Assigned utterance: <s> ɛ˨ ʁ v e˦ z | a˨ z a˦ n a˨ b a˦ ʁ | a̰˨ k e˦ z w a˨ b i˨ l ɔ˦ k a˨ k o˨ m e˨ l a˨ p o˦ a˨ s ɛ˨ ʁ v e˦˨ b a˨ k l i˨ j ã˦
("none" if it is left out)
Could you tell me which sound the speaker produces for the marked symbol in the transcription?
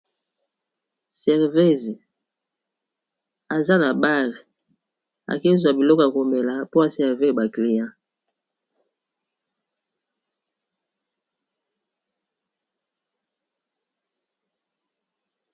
s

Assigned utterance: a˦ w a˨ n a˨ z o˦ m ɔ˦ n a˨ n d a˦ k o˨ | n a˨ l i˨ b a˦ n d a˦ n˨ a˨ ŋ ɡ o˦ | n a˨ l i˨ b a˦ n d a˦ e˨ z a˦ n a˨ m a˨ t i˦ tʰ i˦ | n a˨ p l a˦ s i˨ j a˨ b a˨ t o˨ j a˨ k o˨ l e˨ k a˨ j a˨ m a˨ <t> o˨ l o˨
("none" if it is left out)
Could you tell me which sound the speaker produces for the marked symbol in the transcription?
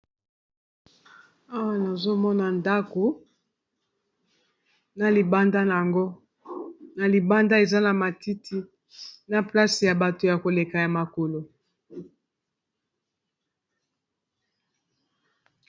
k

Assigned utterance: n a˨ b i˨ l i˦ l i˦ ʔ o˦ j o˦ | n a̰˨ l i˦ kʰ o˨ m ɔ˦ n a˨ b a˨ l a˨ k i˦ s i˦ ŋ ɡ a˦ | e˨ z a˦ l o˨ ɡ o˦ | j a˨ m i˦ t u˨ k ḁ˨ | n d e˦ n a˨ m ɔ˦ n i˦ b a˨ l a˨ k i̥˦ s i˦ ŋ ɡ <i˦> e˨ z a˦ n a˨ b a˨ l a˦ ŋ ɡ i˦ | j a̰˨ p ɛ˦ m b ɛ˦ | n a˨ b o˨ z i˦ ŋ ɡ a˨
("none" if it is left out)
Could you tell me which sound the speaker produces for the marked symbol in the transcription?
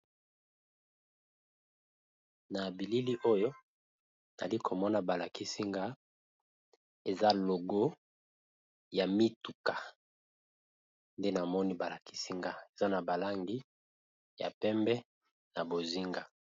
a˦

